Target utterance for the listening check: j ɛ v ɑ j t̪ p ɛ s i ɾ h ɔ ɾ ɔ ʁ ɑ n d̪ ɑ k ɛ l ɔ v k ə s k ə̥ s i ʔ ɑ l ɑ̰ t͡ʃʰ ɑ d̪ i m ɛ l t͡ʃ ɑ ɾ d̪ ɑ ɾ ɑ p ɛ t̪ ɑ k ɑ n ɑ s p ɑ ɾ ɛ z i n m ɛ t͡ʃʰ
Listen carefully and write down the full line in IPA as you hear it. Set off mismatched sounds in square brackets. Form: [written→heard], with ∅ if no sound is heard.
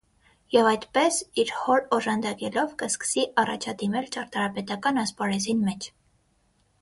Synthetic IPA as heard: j ɛ v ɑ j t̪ p ɛ s i ɾ h ɔ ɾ ɔ [ʁ→ʒ] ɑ n d̪ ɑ k ɛ l ɔ v k ə s k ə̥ s i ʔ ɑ [l→r] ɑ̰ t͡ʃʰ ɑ d̪ i m ɛ l t͡ʃ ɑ ɾ [d̪→t̪] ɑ ɾ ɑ p ɛ t̪ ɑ k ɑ n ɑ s p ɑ ɾ ɛ z i n m ɛ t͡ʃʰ